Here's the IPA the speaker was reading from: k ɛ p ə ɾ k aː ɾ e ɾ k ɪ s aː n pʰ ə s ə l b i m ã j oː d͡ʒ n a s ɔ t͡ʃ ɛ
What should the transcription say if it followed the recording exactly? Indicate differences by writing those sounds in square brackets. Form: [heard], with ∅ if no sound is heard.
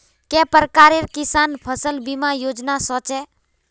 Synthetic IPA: k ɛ p ə ɾ k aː ɾ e ɾ k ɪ s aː n pʰ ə s ə l b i m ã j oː d͡ʒ n a s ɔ t͡ʃ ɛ